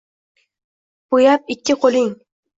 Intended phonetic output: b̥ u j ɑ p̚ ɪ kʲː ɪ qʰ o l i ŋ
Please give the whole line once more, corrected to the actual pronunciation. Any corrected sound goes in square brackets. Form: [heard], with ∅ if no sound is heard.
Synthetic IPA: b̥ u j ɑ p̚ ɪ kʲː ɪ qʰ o l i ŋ